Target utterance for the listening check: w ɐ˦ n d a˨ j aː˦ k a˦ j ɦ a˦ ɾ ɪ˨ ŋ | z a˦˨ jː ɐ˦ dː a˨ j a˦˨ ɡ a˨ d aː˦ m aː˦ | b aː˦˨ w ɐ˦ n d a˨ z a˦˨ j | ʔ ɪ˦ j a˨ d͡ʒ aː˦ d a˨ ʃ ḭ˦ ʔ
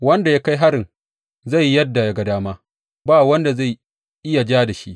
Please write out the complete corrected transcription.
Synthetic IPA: w ɐ˦ n d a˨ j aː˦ k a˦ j ɦ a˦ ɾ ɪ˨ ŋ | z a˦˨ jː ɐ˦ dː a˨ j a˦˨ ɡ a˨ d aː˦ m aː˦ | b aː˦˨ w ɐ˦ n d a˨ z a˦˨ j | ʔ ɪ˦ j a˨ d͡ʒ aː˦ d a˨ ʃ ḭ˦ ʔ

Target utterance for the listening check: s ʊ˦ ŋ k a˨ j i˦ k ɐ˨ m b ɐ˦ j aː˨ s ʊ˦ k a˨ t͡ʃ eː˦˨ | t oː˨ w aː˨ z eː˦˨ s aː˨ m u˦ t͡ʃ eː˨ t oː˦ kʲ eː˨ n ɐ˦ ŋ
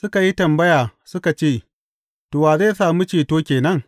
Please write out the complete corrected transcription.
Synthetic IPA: s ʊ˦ k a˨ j i˦ t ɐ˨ m b ɐ˦ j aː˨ s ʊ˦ k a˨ t͡ʃ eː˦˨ | t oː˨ w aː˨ z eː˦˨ s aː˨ m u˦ t͡ʃ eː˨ t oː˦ kʲ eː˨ n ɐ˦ ŋ

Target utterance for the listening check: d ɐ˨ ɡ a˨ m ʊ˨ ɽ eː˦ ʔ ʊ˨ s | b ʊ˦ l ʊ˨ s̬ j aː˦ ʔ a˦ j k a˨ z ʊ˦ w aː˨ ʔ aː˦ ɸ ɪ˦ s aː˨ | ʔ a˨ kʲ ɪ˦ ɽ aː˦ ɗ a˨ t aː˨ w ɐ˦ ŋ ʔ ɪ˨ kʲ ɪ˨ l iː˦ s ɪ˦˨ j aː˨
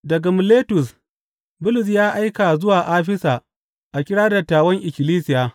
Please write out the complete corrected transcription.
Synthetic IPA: d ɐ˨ ɡ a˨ m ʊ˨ l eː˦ t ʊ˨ s | b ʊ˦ l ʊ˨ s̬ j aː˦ ʔ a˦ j k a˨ z ʊ˦ w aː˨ ʔ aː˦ ɸ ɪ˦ s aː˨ | ʔ a˨ kʲ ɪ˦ ɽ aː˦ d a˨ t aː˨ w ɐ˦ ŋ ʔ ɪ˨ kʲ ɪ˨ l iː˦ s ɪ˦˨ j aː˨

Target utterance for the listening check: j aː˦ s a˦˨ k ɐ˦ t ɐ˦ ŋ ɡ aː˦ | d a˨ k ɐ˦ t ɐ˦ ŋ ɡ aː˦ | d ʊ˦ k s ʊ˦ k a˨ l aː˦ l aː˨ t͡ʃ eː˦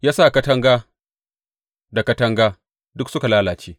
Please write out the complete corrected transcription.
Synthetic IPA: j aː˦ s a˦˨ k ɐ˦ t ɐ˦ ŋ ɡ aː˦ | d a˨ k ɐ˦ t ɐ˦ ŋ ɡ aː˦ | d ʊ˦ k s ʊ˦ k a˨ l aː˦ l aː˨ t͡ʃ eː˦

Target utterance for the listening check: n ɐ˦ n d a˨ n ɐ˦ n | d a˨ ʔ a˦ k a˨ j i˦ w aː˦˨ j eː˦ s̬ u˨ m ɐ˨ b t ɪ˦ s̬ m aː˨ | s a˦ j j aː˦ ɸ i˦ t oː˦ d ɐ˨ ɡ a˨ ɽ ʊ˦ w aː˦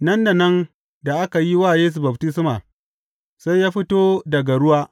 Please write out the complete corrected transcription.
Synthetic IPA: n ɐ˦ n d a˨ n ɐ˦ n | d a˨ ʔ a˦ k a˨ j i˦ w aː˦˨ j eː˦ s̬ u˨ b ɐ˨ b t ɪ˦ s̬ m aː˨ | s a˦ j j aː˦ ɸ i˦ t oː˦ d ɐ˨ ɡ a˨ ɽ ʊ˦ w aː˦

